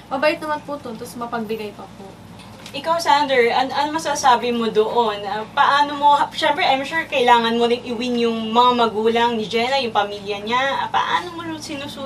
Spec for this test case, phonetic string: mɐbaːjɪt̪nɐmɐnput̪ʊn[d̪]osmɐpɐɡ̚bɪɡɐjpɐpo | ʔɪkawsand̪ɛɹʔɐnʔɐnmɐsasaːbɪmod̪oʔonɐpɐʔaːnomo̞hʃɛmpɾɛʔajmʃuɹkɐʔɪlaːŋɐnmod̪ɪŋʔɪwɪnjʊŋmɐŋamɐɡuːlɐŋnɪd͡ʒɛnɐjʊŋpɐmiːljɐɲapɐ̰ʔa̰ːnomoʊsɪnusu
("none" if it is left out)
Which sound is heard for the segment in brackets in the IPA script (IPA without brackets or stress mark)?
t̪